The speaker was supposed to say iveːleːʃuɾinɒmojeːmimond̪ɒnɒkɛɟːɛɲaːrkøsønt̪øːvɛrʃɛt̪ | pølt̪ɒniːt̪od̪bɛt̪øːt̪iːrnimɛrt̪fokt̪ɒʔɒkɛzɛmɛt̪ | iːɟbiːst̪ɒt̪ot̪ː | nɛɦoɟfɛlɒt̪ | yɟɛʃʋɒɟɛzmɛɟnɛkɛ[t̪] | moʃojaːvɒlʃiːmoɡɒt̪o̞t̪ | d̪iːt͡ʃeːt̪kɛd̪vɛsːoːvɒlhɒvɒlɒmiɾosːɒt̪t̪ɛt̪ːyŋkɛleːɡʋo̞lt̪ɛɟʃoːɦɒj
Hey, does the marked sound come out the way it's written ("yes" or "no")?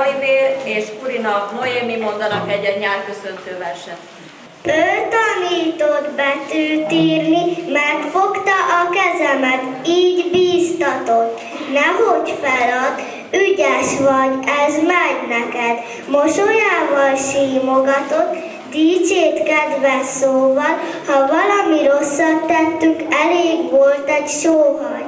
no